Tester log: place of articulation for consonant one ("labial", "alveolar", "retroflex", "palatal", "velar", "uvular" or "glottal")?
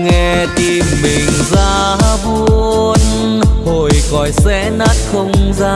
velar